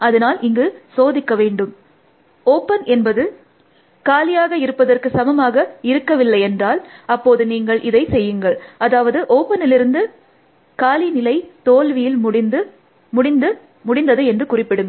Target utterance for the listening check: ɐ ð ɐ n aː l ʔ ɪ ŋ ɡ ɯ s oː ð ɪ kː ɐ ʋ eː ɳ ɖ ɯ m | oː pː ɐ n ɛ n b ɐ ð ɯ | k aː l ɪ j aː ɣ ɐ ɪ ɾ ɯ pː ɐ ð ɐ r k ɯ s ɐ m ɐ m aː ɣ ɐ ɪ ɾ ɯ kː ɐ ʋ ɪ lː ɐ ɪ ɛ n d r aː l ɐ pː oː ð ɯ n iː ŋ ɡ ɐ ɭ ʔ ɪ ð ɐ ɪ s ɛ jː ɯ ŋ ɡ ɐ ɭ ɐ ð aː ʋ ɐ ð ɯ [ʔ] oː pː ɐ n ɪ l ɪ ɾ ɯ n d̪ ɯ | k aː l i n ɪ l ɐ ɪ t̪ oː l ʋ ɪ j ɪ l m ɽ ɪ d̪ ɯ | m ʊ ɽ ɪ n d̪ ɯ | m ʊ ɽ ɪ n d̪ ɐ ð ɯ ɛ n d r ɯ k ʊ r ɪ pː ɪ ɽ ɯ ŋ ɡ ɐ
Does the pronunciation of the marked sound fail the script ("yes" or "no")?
no